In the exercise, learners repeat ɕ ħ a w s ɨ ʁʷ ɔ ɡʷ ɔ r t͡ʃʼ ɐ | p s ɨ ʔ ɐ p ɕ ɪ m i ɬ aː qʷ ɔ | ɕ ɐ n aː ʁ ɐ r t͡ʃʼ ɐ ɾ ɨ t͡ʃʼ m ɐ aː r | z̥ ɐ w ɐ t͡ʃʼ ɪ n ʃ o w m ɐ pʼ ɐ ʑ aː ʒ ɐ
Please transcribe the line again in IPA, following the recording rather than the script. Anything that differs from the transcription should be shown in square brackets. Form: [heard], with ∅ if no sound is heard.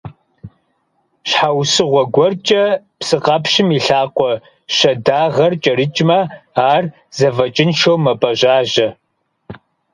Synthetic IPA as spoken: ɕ ħ a w s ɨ ʁʷ ɔ ɡʷ ɔ r t͡ʃʼ ɐ | p s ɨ [q] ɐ p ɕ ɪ m i ɬ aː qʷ ɔ | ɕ ɐ [d] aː ʁ ɐ r t͡ʃʼ ɐ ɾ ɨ t͡ʃʼ m ɐ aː r | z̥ ɐ [v] ɐ t͡ʃʼ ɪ n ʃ o w m ɐ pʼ ɐ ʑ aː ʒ ɐ